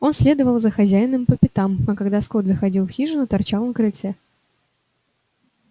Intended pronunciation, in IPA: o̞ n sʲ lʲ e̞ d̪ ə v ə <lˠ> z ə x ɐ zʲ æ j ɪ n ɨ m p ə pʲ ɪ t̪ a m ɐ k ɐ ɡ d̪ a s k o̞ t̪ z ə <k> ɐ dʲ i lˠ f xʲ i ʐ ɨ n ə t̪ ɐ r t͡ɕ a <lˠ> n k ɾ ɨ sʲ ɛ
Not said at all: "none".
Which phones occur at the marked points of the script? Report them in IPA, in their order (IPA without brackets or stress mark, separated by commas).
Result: lˠ, x, lˠ